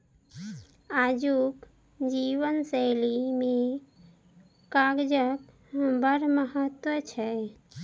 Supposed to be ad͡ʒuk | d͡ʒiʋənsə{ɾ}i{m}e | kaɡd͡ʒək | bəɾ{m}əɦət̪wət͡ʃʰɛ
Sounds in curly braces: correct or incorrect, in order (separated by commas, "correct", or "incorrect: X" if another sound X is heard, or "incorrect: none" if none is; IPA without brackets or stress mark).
incorrect: l, correct, correct